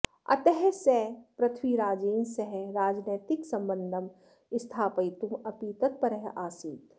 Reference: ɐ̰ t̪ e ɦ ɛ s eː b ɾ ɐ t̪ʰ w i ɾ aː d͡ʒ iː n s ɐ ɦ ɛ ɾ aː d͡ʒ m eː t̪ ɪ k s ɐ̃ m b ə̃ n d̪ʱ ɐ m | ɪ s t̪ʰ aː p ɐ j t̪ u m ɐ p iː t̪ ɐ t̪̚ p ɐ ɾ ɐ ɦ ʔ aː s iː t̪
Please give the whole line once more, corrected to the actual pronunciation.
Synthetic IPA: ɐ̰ t̪ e ɦ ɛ s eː p ɾ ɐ t̪ʰ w i ɾ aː d͡ʒ iː n s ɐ ɦ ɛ ɾ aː d͡ʒ n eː t̪ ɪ k s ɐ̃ m b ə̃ n d̪ʱ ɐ m | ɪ s t̪ʰ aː p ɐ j t̪ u m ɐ p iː t̪ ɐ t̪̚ p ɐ ɾ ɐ ɦ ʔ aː s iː t̪

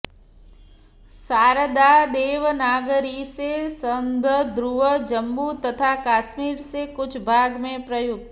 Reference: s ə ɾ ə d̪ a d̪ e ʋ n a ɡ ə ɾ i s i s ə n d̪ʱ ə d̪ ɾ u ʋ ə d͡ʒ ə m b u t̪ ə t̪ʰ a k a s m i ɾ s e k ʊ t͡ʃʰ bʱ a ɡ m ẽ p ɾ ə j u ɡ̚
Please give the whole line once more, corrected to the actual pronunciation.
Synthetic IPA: s a ɾ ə d̪ a d̪ e ʋ n a ɡ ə ɾ i s e s ə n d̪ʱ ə d̪ ɾ u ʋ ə d͡ʒ ə m b u t̪ ə t̪ʰ a k a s m i ɾ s e k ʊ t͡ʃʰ bʱ a ɡ m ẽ p ɾ ə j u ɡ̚

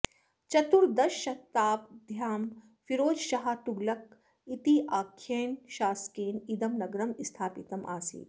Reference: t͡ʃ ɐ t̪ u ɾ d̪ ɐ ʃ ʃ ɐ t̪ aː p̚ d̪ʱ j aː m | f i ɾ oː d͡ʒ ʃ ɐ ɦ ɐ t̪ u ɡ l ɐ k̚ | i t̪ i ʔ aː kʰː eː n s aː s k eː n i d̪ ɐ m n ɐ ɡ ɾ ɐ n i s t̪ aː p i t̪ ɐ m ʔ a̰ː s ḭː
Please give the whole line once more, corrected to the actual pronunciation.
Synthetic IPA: t͡ʃ ɐ t̪ u ɾ d̪ ɐ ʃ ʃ ɐ t̪ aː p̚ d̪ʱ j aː m | f i ɾ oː d͡ʒ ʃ ɐ ɦ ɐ t̪ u ɡ l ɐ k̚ | i t̪ i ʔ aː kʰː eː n ʃ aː s k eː n i d̪ ɐ m n ɐ ɡ ɾ ɐ m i s t̪ʰ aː p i t̪ ɐ m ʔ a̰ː s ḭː

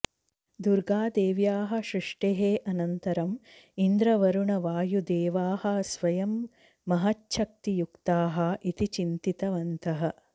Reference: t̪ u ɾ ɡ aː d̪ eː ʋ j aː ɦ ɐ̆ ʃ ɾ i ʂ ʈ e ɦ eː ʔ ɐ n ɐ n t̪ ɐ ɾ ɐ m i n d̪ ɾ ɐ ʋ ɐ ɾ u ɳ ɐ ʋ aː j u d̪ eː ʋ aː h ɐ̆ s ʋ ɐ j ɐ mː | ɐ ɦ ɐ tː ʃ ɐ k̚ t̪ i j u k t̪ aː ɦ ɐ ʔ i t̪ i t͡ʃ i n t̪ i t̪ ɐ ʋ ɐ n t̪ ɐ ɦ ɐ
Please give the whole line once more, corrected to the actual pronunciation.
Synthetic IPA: d̪ u ɾ ɡ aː d̪ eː ʋ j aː ɦ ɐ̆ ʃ ɾ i ʂ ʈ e ɦ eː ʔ ɐ n ɐ n t̪ ɐ ɾ ɐ m i n d̪ ɾ ɐ ʋ ɐ ɾ u ɳ ɐ ʋ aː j u d̪ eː ʋ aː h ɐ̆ s ʋ ɐ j ɐ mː | ɐ ɦ ɐ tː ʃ ɐ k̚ t̪ i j u k t̪ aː ɦ ɐ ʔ i t̪ i t͡ʃ i n t̪ i t̪ ɐ ʋ ɐ n t̪ ɐ ɦ ɐ

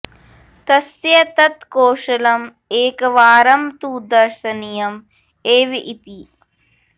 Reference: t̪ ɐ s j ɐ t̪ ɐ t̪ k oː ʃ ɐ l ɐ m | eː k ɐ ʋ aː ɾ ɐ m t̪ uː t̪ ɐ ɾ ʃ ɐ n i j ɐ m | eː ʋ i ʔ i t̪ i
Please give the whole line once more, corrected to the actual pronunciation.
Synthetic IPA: t̪ ɐ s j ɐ t̪ ɐ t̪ k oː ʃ ɐ l ɐ m | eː k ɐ ʋ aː ɾ ɐ m t̪ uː d̪ ɐ ɾ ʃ ɐ n i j ɐ m | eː ʋ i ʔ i t̪ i

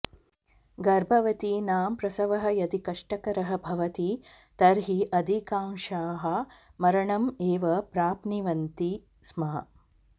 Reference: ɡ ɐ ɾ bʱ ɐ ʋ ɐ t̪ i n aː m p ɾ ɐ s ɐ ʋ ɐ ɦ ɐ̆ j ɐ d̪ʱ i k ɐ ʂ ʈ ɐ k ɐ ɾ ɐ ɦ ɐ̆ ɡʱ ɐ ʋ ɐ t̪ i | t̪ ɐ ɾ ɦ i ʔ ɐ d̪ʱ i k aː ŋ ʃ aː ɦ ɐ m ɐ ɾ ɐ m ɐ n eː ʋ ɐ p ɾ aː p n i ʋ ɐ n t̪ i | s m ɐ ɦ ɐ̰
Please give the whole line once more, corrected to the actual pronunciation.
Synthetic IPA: ɡ ɐ ɾ bʱ ɐ ʋ ɐ t̪ i n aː m p ɾ ɐ s ɐ ʋ ɐ ɦ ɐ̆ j ɐ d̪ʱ i k ɐ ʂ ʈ ɐ k ɐ ɾ ɐ ɦ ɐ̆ bʱ ɐ ʋ ɐ t̪ i | t̪ ɐ ɾ ɦ i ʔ ɐ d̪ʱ i k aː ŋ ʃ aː ɦ ɐ m ɐ ɾ ɐ ɳ ɐ m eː ʋ ɐ p ɾ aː p n i ʋ ɐ n t̪ i | s m ɐ ɦ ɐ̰

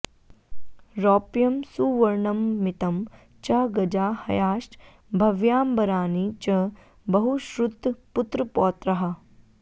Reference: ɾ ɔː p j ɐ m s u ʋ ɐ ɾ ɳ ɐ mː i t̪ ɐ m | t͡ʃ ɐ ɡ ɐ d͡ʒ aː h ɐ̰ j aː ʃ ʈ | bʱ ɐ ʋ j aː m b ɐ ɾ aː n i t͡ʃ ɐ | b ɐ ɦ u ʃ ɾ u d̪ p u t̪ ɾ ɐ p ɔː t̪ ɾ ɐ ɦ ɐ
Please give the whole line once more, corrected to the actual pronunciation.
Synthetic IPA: ɾ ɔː p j ɐ m s u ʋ ɐ ɾ ɳ ɐ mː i t̪ ɐ m | t͡ʃ ɐ ɡ ɐ d͡ʒ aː h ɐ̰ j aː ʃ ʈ | bʱ ɐ ʋ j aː m b ɐ ɾ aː n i t͡ʃ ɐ | b ɐ ɦ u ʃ ɾ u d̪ p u t̪ ɾ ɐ p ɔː t̪ ɾ ɐ ɦ ɐ

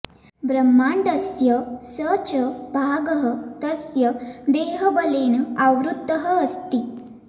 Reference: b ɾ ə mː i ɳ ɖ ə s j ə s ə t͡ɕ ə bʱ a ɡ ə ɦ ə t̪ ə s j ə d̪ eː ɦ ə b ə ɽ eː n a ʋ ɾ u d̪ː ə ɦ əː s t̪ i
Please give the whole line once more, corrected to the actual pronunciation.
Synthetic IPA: b ɾ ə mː a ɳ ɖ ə s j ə s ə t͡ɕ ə bʱ a ɡ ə ɦ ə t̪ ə s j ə d̪ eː ɦ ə b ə l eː n a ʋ ɾ u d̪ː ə ɦ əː s t̪ i

